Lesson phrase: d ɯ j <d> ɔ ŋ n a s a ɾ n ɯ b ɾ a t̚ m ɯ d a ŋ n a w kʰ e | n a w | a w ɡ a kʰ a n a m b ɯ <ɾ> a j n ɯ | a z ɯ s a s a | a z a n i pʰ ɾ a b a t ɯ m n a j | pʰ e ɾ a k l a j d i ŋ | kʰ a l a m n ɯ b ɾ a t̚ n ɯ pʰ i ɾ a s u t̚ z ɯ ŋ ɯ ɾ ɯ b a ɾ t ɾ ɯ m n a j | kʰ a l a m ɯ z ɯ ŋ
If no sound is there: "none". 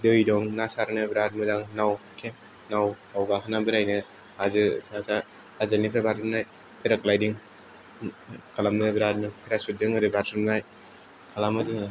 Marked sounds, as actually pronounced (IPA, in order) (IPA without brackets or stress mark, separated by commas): d, ɾ